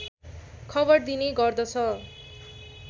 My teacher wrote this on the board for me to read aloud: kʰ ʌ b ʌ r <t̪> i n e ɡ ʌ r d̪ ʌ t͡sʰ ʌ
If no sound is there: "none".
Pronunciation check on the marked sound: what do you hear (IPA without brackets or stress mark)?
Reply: d̪